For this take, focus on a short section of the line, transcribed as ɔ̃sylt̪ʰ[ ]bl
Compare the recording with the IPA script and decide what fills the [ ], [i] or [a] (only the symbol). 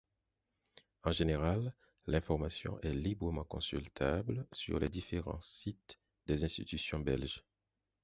a